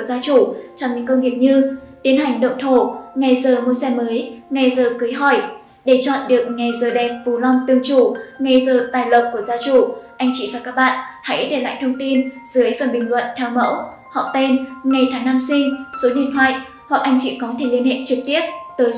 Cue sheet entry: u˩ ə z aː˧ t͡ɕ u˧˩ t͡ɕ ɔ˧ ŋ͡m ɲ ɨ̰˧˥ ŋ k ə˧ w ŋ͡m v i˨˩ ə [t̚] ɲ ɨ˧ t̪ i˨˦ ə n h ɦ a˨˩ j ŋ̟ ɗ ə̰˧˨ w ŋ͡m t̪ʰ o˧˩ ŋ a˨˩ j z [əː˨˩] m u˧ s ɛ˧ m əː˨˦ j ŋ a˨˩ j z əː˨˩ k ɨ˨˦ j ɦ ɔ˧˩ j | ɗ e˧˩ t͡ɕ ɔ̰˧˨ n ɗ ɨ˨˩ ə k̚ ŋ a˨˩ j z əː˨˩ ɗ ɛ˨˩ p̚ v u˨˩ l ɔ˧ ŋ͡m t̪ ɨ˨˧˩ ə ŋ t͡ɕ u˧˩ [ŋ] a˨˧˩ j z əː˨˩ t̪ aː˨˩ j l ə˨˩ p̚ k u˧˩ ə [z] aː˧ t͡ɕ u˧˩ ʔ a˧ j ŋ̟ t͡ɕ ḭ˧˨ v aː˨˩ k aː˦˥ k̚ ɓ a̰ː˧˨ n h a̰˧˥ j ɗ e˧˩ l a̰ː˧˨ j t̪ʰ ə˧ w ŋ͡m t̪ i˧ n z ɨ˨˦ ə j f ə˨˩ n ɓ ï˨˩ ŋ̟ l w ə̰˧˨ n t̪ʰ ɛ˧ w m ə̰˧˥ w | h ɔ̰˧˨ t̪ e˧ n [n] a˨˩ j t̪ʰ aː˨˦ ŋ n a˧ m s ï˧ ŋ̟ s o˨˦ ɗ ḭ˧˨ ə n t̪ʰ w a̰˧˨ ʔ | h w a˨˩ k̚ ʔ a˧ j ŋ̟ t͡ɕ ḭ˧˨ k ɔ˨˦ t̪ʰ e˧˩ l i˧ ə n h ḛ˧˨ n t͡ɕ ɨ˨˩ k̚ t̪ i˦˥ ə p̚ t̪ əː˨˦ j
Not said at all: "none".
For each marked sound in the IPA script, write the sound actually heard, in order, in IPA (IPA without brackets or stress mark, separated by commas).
k̚, əː˨˩, ŋ, z, ŋ